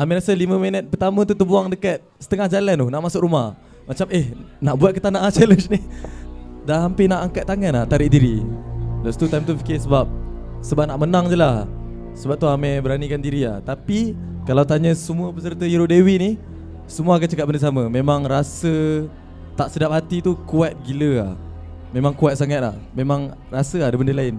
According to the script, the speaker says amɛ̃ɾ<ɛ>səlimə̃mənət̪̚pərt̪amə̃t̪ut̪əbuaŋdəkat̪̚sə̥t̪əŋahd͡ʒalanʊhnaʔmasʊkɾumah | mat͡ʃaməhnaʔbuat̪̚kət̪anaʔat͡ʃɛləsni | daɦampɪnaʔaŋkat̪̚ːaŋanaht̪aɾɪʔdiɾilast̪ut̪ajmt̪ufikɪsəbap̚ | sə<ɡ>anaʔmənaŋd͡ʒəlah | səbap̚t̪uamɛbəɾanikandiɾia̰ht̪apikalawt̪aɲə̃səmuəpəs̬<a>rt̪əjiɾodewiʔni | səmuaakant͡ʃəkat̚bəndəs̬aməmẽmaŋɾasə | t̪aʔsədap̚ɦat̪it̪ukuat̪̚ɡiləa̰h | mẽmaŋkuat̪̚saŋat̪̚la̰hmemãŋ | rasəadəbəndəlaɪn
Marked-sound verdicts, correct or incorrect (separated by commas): incorrect, incorrect, incorrect